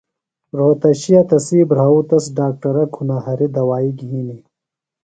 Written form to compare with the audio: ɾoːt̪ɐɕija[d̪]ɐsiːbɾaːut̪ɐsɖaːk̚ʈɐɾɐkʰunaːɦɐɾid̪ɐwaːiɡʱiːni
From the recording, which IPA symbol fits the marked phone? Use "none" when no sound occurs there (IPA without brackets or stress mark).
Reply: t̪